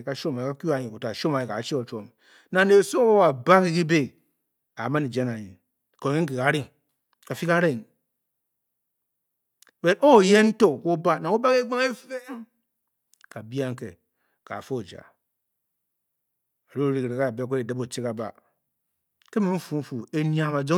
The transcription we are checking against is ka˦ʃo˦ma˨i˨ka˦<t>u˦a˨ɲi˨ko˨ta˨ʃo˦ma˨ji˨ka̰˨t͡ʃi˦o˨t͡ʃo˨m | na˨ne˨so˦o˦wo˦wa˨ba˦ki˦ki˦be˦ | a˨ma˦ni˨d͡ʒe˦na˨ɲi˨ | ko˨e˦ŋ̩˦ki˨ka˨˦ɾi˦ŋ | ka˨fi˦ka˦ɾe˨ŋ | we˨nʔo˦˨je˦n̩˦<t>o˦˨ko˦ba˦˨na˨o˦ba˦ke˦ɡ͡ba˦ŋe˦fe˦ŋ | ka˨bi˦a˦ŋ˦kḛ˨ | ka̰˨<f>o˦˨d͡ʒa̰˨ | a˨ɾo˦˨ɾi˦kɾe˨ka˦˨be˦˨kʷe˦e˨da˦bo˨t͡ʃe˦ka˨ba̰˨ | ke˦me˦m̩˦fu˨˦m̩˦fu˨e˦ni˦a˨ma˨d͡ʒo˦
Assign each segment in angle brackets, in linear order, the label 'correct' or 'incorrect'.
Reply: incorrect: k, correct, correct

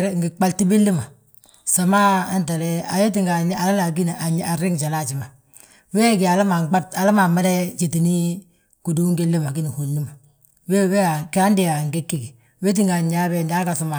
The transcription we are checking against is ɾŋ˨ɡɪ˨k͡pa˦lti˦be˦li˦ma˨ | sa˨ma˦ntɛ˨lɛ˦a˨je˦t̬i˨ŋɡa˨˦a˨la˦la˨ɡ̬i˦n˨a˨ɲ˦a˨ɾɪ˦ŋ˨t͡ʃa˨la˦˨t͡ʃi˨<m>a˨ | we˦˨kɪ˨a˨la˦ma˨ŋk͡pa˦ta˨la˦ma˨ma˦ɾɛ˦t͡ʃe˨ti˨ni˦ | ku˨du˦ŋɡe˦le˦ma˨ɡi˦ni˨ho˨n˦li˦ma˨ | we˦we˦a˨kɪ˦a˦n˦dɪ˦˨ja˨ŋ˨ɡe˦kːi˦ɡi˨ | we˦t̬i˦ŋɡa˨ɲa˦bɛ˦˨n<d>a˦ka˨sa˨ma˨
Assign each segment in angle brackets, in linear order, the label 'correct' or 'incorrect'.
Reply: correct, correct

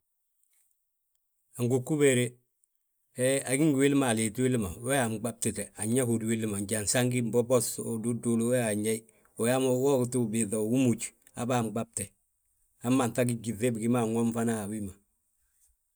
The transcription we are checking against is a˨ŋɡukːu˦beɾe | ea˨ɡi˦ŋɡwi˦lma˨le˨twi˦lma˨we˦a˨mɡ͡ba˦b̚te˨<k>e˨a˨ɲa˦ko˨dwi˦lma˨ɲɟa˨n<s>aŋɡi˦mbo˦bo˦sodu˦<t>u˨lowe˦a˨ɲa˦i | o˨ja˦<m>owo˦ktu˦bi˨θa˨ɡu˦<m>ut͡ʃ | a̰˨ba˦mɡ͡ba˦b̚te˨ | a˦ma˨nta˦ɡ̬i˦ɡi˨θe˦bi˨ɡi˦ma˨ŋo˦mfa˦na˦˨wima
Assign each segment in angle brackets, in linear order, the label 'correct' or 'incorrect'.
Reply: incorrect: t, correct, incorrect: d, correct, correct

